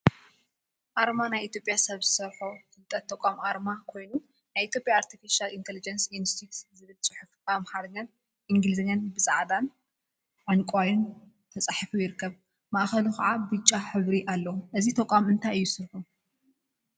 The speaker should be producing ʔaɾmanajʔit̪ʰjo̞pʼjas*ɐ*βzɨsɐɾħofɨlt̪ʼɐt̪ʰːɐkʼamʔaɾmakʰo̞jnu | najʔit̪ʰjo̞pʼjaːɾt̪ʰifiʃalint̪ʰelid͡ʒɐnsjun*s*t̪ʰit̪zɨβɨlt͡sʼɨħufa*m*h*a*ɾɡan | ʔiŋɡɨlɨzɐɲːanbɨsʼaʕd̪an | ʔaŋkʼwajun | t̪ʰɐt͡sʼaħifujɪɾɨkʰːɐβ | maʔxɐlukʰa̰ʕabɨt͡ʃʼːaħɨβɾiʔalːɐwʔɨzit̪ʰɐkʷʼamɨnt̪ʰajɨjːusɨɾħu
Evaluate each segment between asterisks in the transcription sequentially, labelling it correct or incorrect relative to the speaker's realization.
correct, correct, correct, correct

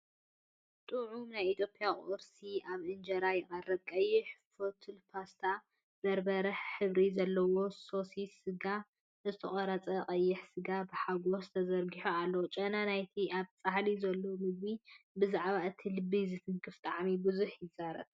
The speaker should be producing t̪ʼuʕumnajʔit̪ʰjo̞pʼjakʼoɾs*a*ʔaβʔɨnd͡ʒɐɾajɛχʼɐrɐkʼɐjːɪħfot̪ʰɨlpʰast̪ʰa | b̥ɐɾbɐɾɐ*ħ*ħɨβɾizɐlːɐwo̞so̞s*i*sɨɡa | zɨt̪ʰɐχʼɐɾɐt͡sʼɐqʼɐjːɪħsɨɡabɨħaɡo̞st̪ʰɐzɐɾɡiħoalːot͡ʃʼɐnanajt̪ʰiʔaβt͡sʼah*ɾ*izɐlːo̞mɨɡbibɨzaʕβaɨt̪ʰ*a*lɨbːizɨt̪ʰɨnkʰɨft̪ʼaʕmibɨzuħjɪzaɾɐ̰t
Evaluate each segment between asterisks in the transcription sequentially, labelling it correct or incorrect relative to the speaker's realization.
incorrect: i, correct, correct, incorrect: l, incorrect: i

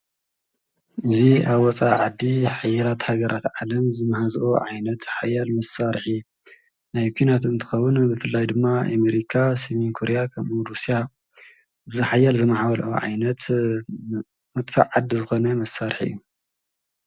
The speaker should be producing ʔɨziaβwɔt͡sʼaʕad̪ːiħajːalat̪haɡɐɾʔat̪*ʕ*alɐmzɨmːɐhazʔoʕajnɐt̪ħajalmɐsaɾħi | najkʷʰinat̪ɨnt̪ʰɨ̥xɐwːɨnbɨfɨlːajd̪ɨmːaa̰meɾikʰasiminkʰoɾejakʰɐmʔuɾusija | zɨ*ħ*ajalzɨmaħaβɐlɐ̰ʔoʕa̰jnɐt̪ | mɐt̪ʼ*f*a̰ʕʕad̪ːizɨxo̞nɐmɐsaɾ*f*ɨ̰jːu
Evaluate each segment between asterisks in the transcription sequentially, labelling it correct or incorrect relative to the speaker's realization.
correct, correct, correct, incorrect: ħ

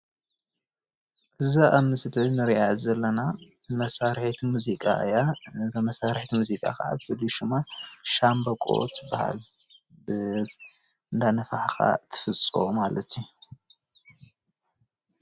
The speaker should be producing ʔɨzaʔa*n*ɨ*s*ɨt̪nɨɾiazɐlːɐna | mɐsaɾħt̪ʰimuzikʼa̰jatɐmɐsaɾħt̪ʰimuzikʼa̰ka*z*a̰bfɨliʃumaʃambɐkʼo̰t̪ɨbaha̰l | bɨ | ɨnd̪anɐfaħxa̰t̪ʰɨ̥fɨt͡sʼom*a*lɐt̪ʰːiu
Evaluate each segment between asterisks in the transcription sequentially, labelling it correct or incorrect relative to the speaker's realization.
incorrect: m, correct, incorrect: ʕ, correct

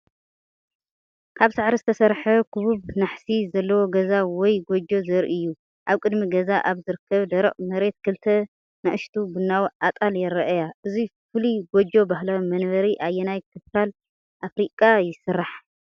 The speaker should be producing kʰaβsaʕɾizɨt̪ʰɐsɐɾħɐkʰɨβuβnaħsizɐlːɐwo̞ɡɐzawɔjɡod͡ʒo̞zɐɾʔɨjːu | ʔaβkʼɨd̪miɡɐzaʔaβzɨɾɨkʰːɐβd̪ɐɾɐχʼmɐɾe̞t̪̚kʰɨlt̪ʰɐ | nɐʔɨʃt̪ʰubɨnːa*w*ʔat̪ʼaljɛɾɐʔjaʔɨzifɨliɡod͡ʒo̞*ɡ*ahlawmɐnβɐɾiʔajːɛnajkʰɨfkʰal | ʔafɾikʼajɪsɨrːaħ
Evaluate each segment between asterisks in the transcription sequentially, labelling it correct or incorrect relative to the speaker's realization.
correct, incorrect: b

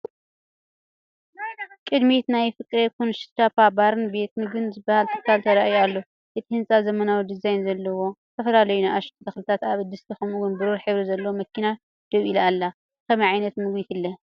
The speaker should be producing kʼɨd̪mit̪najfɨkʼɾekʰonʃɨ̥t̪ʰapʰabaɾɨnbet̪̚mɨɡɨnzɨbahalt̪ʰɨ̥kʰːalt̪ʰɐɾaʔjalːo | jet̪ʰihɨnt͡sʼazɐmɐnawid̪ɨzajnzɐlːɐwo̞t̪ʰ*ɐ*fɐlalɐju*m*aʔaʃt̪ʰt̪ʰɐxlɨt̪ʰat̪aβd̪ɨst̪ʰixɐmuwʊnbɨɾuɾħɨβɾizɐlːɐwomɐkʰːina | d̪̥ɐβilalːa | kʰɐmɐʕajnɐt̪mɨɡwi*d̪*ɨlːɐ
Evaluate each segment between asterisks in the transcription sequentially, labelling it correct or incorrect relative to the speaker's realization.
correct, incorrect: n, incorrect: t̪

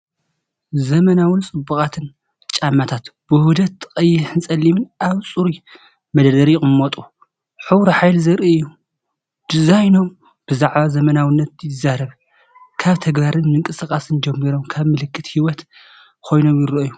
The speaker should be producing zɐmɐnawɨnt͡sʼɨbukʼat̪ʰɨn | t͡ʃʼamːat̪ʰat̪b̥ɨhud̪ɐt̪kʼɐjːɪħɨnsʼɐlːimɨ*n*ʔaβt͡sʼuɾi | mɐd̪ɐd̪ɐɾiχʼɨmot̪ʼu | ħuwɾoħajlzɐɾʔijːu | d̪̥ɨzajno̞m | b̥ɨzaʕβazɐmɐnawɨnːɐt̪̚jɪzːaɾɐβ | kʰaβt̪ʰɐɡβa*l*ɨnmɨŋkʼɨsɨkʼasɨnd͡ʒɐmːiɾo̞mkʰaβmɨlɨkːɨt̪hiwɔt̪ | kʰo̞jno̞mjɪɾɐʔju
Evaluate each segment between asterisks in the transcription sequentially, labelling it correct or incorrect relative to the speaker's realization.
correct, incorrect: ɾ

